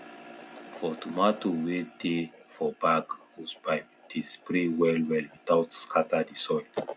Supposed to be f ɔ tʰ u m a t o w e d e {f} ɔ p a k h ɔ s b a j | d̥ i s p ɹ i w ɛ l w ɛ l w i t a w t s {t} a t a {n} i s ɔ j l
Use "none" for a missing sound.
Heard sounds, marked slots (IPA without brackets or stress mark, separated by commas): f, k, d